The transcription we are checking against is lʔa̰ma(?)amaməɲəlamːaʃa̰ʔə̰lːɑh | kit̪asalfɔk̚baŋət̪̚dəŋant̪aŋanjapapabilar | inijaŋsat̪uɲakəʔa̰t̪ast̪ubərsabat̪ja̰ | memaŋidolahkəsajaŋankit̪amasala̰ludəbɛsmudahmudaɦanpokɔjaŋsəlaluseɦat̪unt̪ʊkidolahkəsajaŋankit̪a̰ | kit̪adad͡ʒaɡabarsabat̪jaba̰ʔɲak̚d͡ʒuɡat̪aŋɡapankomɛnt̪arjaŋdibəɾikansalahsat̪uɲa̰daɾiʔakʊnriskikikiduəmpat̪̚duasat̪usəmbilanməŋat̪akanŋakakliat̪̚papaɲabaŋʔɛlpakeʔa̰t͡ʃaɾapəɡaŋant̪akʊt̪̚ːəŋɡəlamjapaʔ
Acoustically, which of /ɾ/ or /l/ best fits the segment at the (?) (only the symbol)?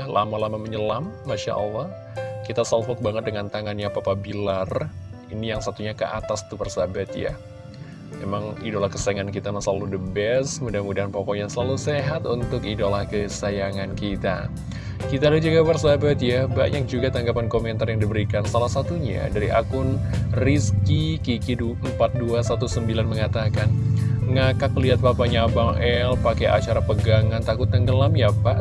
l